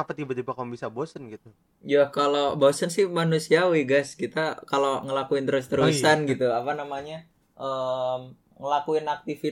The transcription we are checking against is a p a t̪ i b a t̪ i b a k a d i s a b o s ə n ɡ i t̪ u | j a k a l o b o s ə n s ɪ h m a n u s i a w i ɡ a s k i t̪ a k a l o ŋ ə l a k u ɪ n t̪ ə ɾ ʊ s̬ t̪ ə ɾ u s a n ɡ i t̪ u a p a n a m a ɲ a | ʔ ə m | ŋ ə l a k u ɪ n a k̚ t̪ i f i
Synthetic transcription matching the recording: a p a t̪ i b a t̪ i b a k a b i s a b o s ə n ɡ i t̪ u | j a k a l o b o s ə n s ɪ h m a n u s i a w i ɡ a s k i t̪ a k a l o ŋ ə l a k u ɪ n t̪ ə ɾ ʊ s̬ t̪ ə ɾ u s a n ɡ i t̪ u a p a n a m a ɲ a | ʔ ə m | ŋ ə l a k u ɪ n a k̚ t̪ i f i